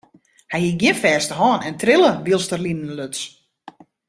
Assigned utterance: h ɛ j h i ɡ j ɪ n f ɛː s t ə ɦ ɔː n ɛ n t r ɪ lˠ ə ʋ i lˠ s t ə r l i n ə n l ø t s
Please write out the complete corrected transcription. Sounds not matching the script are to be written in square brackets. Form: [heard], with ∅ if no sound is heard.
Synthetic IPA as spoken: h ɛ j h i ɡ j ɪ n f ɛː s t ə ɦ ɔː n ɛ n t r ɪ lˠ ə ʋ i lˠ s t ə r l i n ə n l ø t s

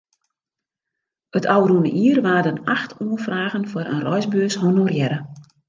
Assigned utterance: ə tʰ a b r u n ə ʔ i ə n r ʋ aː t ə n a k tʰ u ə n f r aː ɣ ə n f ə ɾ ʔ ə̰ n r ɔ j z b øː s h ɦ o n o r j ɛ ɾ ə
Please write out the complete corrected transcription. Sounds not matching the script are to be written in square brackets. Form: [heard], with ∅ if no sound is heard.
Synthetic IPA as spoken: ə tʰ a [w] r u n ə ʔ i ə [∅] r ʋ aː [d] ə n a [x] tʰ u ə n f r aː ɣ ə n f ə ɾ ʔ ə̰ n r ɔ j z b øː s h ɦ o n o r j ɛ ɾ ə

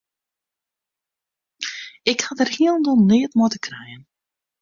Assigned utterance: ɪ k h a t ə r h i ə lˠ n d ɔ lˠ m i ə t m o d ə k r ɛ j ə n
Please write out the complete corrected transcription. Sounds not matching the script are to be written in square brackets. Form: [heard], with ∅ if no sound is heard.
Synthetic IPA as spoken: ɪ k h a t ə r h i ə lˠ n d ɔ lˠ [n] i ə t m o [t] ə k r ɛ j ə n

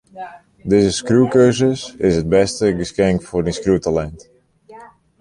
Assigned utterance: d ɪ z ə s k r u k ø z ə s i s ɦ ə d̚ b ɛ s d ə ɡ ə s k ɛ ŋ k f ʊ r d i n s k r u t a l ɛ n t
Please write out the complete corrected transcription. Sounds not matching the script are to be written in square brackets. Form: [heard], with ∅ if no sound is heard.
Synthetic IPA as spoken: d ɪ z ə s k r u k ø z ə s [ɪ] s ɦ ə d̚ b ɛ s [t] ə ɡ ə s k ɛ ŋ k f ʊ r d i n s k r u t a l ɛ n t

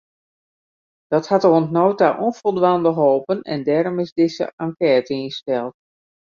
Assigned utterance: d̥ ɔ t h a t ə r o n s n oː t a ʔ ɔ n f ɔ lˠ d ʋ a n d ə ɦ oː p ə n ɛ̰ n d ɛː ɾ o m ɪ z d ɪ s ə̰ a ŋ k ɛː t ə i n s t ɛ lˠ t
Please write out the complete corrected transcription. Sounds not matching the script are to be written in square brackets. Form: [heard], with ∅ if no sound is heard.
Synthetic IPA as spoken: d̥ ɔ t h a t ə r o n [t] n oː t a ʔ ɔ n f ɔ lˠ d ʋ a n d ə ɦ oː p ə n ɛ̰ n d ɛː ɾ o m ɪ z d ɪ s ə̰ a ŋ k ɛː t ə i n s t ɛ lˠ t

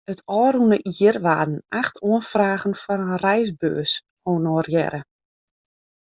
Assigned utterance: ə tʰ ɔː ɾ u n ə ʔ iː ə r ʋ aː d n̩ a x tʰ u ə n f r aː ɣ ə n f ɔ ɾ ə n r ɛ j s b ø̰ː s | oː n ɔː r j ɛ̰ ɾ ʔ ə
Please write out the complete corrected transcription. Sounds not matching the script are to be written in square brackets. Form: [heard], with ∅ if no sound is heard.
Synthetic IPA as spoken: ə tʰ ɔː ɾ u n ə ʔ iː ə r ʋ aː d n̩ a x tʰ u ə n f r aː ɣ ə n f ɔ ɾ ə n r ɛ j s b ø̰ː s | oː n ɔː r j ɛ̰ ɾ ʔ ə

